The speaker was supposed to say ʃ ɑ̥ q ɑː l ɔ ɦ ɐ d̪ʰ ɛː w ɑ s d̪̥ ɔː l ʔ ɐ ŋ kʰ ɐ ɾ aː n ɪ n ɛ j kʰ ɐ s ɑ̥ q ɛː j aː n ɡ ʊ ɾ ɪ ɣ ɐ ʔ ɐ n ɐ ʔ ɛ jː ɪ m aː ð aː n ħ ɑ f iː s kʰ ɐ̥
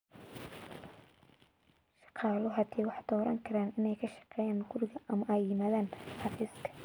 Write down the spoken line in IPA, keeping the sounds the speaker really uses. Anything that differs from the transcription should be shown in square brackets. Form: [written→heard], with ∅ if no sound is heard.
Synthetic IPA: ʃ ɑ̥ q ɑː l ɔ ɦ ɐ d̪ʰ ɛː w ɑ [s→ħ] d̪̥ ɔː [l→ɾ] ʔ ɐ ŋ kʰ ɐ ɾ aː n ɪ n ɛ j kʰ ɐ [s→ʃ] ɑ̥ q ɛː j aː n ɡ ʊ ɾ ɪ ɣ ɐ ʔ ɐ [n→m] ɐ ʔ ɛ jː ɪ m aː ð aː n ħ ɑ f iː s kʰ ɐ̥